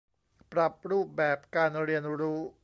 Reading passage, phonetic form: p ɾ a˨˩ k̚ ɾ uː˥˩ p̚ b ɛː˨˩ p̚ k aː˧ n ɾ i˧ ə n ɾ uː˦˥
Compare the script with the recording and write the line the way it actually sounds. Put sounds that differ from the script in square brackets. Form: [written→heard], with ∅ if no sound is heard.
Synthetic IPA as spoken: p ɾ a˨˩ [k̚→p̚] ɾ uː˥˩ p̚ b ɛː˨˩ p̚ k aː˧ n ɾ i˧ ə n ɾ uː˦˥